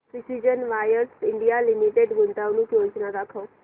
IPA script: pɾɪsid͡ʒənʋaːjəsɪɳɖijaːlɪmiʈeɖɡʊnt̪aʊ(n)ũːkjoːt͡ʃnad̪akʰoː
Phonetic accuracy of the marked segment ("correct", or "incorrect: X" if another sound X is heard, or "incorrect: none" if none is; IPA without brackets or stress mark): correct